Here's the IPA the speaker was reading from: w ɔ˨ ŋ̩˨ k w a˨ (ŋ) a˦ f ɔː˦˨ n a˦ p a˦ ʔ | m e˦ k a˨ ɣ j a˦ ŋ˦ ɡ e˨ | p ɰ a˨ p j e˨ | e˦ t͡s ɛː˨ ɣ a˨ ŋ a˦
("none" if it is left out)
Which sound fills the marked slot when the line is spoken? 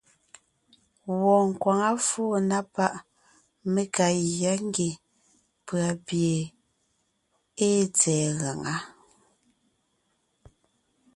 ŋ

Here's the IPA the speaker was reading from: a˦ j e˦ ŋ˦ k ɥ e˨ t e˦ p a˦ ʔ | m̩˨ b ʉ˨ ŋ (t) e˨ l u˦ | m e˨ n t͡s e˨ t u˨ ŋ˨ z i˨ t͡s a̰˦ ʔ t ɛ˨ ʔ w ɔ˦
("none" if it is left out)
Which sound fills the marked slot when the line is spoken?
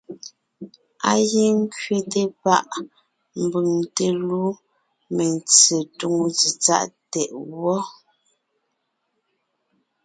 t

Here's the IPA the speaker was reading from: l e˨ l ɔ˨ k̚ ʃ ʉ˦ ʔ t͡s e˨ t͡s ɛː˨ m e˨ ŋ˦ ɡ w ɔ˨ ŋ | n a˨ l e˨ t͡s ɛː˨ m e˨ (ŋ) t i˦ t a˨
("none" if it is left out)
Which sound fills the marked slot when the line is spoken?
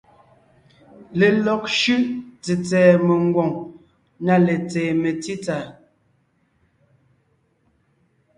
none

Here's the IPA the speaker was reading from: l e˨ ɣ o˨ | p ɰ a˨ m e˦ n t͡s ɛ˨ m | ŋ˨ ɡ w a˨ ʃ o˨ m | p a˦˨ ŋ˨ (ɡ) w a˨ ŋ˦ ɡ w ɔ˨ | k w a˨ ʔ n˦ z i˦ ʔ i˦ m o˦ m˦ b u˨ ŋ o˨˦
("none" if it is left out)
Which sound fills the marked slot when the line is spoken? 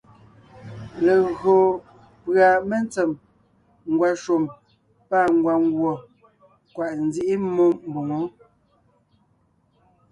ɡ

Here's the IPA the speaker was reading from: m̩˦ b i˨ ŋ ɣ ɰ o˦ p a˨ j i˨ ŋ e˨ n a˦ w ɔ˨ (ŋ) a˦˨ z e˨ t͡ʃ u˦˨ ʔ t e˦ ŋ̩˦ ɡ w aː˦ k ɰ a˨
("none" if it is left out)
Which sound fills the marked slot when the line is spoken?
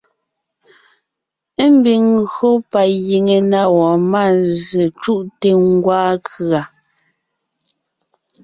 m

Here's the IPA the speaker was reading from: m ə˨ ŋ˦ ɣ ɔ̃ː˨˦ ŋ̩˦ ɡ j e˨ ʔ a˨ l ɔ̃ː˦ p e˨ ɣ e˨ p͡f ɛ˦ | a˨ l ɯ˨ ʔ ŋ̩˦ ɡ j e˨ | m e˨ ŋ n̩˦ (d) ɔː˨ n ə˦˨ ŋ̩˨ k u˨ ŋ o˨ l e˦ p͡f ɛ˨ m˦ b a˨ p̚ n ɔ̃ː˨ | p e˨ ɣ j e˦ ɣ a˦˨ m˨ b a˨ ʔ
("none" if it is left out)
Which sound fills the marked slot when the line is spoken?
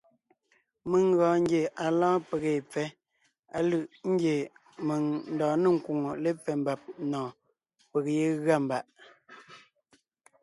d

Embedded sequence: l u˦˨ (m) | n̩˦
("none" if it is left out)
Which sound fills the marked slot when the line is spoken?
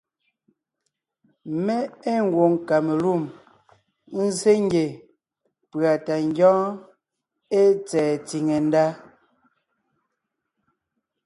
m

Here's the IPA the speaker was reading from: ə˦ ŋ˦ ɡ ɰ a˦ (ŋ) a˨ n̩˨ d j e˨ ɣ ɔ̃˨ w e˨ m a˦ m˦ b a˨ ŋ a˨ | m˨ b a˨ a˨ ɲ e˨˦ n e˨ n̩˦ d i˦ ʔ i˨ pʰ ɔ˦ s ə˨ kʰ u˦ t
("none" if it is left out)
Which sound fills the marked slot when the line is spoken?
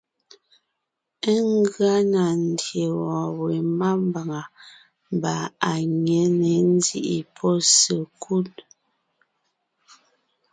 n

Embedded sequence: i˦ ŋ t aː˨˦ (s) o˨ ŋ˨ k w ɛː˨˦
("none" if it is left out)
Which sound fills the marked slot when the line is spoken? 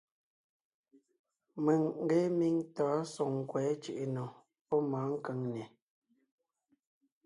s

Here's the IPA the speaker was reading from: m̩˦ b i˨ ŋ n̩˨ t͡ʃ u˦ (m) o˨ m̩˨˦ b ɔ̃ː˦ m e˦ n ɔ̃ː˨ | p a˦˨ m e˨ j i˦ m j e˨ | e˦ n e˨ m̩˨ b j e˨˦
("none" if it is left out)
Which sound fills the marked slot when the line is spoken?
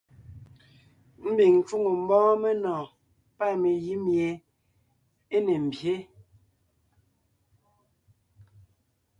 ŋ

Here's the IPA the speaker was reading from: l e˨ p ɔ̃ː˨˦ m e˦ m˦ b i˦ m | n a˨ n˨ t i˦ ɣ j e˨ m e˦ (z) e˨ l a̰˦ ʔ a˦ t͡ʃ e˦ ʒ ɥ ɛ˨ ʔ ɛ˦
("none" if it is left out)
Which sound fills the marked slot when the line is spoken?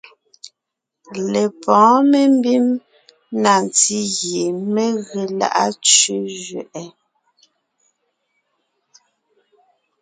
ɣ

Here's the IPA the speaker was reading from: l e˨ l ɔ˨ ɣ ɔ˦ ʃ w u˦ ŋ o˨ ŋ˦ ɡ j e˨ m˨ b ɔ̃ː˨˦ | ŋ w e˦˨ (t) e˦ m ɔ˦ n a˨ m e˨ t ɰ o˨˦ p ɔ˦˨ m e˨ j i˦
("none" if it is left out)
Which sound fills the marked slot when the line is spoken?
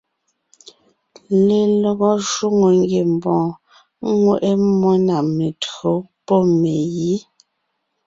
ʔ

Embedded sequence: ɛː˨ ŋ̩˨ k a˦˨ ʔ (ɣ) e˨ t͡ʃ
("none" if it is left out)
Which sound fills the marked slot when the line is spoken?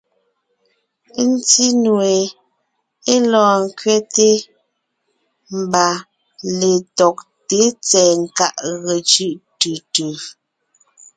ɣ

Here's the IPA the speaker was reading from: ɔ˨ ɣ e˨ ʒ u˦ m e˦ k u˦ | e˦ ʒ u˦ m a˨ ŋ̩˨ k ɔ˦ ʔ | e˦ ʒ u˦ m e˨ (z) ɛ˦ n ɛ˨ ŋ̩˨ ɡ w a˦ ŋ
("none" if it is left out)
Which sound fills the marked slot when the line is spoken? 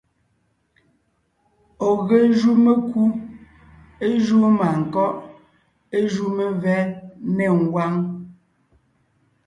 v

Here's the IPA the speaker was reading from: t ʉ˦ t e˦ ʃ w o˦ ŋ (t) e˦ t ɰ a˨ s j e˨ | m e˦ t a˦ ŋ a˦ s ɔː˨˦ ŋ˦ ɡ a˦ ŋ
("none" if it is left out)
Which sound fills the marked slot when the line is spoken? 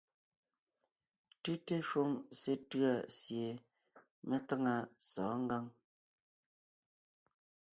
s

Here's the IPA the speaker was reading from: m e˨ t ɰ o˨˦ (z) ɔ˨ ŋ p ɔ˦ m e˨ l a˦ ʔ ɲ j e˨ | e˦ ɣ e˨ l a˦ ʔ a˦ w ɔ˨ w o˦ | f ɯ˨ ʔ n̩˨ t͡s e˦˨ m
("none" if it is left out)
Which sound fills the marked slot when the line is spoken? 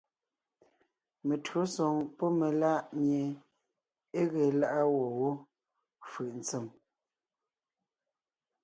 s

